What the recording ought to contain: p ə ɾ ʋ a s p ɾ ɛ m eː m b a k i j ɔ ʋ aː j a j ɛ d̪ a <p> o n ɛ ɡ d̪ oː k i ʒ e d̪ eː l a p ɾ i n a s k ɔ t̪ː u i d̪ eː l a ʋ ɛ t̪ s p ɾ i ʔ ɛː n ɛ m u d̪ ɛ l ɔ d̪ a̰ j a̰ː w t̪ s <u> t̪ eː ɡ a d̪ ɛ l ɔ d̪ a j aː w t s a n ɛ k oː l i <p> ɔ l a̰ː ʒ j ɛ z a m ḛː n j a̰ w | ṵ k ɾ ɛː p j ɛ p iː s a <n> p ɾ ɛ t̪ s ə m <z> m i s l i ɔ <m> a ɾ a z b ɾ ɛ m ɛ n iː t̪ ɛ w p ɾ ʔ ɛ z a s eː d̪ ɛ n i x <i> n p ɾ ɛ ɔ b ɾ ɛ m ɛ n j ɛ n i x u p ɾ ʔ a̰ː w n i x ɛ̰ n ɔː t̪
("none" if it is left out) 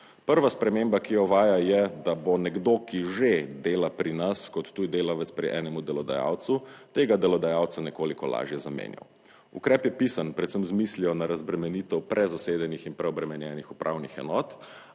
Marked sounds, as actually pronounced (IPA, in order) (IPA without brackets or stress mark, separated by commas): b, u, k, n, z, n, i